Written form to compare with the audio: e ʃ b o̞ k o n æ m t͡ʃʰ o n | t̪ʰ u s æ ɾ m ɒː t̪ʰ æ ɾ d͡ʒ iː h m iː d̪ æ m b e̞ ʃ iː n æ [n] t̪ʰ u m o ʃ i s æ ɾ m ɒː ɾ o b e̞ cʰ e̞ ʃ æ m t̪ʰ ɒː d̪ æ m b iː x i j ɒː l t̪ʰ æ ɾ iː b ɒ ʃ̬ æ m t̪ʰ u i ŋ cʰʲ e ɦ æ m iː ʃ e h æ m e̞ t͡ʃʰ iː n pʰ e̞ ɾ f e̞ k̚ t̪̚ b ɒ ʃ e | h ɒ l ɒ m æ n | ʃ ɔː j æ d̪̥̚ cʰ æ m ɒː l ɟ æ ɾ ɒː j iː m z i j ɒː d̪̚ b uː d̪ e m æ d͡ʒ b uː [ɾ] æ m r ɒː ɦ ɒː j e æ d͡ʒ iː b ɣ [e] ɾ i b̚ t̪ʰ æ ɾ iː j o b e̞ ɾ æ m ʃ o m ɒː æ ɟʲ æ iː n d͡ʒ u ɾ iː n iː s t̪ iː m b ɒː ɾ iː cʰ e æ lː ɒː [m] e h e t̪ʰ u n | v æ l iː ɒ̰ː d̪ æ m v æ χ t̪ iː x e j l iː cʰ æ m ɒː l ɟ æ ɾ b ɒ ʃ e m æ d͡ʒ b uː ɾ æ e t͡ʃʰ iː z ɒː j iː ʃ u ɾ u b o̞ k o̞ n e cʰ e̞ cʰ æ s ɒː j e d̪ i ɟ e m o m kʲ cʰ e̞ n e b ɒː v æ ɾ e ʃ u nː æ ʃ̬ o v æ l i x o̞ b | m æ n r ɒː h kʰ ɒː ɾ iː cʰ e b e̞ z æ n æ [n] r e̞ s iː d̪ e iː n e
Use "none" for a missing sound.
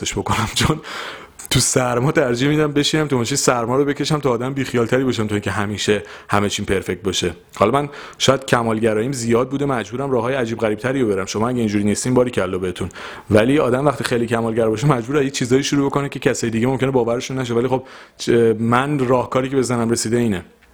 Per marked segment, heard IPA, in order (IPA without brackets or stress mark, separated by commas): m, ɾ, æ, b, m